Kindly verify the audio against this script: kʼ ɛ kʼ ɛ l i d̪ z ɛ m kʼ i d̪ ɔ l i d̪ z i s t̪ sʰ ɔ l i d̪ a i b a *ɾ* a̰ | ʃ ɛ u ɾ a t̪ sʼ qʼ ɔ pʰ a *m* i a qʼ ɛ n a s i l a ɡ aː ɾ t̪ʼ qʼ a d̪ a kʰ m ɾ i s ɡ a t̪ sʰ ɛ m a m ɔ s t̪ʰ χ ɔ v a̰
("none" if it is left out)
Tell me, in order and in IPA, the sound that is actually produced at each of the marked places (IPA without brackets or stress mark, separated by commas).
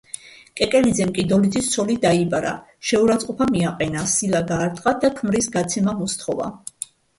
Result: ɾ, m